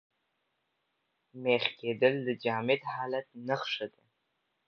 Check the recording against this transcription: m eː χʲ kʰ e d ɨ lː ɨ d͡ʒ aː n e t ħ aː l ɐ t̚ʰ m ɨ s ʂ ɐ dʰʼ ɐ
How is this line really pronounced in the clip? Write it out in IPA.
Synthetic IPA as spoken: m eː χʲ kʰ e d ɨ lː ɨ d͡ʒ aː m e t ħ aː l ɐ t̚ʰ n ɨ χ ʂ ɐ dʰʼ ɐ